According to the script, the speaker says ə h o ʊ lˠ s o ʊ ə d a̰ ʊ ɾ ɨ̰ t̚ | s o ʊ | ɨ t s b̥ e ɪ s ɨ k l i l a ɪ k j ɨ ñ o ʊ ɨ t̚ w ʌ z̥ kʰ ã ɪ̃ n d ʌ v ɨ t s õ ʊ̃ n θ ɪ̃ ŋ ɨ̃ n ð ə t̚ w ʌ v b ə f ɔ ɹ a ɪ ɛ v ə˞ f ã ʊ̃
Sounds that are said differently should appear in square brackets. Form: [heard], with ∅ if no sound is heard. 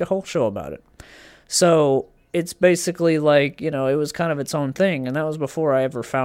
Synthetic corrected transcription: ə h o ʊ lˠ [ʃ] o ʊ ə [b] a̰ ʊ ɾ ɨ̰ t̚ | s o ʊ | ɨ t s b̥ e ɪ s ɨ k l i l a ɪ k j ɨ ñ o ʊ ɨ t̚ w ʌ z̥ kʰ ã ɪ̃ n d ʌ v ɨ t s õ ʊ̃ n θ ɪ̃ ŋ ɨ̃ n ð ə t̚ w ʌ [z] b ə f ɔ ɹ a ɪ ɛ v ə˞ f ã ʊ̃